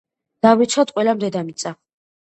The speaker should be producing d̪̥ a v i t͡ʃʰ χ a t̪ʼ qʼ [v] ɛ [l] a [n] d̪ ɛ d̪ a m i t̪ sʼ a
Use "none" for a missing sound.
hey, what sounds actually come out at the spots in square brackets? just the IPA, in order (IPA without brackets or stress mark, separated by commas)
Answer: w, l, m